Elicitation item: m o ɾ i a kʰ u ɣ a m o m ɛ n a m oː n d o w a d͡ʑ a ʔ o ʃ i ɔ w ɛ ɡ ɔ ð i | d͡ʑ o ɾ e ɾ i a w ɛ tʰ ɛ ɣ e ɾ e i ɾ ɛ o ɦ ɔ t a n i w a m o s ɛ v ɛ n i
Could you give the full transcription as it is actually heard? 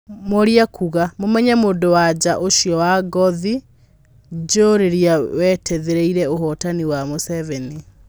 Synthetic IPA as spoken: m o ɾ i a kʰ u ɣ a m o m ɛ ɲ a m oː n d o w a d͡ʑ a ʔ o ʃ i ɔ w a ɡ ɔ ð i | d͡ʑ o ɾ e ɾ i a w ɛ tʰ ɛ ð e ɾ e i ɾ ɛ o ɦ ɔ t a n i w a m o s ɛ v ɛ n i